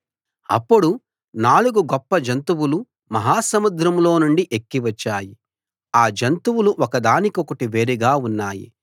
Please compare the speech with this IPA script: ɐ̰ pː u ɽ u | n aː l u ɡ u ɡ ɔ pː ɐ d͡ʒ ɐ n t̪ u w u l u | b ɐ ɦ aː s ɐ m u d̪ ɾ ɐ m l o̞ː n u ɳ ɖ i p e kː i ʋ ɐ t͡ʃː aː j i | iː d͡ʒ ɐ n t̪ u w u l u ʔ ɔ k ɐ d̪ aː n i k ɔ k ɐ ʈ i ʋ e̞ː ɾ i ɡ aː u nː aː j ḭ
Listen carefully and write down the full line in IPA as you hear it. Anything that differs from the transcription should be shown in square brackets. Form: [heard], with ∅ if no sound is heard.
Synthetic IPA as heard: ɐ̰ pː u ɽ u | n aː l u ɡ u ɡ ɔ pː ɐ d͡ʒ ɐ n t̪ u w u l u | [m] ɐ ɦ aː s ɐ m u d̪ ɾ ɐ m l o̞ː n u ɳ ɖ i [ʔ] e kː i ʋ ɐ t͡ʃː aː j i | [aː] d͡ʒ ɐ n t̪ u w u l u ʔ ɔ k ɐ d̪ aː n i k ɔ k ɐ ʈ i ʋ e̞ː ɾ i ɡ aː u nː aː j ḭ